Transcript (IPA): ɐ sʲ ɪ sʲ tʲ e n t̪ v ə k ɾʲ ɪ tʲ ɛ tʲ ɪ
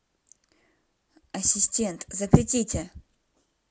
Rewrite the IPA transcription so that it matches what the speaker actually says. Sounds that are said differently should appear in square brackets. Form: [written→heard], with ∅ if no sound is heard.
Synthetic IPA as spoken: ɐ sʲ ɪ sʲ tʲ e n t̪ [v→z] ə [k→p] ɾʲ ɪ tʲ [ɛ→i] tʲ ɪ